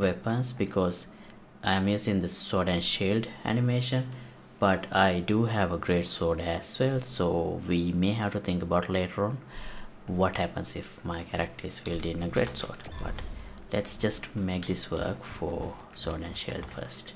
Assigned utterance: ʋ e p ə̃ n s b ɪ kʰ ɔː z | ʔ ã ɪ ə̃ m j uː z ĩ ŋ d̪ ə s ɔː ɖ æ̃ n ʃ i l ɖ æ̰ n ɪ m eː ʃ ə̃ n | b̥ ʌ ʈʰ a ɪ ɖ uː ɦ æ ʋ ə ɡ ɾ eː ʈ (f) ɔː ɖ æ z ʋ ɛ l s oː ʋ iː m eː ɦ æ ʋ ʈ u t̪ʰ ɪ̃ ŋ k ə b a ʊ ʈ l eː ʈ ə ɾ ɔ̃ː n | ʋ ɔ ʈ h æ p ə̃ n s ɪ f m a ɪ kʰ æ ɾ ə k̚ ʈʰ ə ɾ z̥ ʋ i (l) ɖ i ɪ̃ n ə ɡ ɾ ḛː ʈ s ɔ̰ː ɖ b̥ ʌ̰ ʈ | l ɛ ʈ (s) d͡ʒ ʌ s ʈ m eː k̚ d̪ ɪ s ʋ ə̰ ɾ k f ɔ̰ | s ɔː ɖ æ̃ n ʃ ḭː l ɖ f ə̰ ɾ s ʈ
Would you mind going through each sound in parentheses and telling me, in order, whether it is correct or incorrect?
incorrect: s, correct, correct

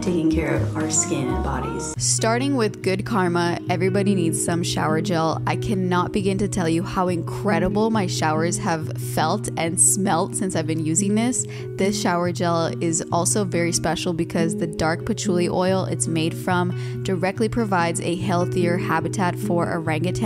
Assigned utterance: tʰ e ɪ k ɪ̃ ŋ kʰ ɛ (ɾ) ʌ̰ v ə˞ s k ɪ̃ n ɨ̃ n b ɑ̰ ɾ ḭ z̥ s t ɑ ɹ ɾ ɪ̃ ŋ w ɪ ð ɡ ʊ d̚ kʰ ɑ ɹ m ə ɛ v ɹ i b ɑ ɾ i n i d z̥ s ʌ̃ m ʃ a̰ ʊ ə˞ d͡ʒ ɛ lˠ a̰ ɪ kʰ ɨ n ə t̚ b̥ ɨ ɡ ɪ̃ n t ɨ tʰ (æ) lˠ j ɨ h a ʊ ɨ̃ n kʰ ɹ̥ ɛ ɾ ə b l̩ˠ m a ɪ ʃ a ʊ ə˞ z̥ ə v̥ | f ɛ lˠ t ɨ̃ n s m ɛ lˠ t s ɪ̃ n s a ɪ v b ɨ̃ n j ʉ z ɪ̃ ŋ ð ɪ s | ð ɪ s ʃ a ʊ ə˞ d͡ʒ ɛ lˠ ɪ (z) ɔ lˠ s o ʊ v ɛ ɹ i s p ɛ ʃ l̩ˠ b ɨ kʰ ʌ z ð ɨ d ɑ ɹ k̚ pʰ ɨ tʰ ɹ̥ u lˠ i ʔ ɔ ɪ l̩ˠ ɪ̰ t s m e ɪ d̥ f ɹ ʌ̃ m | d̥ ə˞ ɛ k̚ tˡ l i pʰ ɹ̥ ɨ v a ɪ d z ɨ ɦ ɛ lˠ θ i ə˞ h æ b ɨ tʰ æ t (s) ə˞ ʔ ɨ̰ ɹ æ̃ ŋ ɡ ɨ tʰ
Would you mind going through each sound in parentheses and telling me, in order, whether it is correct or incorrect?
incorrect: ɹ, incorrect: ɛ, correct, incorrect: f

